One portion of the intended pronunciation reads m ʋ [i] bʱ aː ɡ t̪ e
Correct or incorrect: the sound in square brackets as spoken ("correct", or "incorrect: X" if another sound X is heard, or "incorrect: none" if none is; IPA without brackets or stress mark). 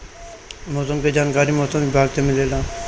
incorrect: ɪ